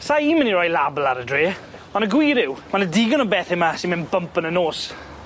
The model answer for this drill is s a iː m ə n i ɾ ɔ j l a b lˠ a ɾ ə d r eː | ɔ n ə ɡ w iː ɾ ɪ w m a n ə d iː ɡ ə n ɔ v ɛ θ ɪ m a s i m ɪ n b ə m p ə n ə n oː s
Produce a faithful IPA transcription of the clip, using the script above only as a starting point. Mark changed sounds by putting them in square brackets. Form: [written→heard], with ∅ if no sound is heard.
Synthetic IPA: s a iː m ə n i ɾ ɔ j l a b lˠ a ɾ ə d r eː | ɔ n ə ɡ w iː ɾ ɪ w m a n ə d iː ɡ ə n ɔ [v→b] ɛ θ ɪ m a s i m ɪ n b ə m p ə n ə n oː s